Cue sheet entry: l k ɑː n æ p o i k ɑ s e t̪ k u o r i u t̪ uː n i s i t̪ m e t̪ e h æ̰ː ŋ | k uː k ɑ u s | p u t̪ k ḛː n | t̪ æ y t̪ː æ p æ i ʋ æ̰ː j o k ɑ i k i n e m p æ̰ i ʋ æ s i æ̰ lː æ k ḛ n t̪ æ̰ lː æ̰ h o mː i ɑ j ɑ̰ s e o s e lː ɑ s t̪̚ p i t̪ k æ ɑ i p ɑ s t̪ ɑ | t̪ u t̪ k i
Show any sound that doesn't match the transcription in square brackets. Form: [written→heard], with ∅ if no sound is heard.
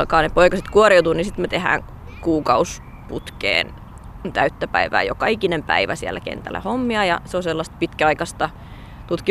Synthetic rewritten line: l k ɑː n [æ→e] p o i k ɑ s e t̪ k u o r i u t̪ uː n i s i t̪ m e t̪ e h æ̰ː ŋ | k uː k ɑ u s | p u t̪ k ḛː n | t̪ æ y t̪ː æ p æ i ʋ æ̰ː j o k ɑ i k i n e m p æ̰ i ʋ æ s i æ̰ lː æ k ḛ n t̪ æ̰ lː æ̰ h o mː i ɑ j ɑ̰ s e o s e lː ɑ s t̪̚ p i t̪ k æ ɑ i [p→k] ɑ s t̪ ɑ | t̪ u t̪ k i